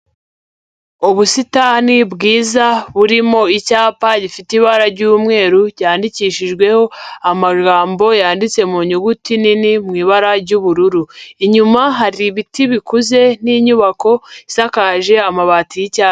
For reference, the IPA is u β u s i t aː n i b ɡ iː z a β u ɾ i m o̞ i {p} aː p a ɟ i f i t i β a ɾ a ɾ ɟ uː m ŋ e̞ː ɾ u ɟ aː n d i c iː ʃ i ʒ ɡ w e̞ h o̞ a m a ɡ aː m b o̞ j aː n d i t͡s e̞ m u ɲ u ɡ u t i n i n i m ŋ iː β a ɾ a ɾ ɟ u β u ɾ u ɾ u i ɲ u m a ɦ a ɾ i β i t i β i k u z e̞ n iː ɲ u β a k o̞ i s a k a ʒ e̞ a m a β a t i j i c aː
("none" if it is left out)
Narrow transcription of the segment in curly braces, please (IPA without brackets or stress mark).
c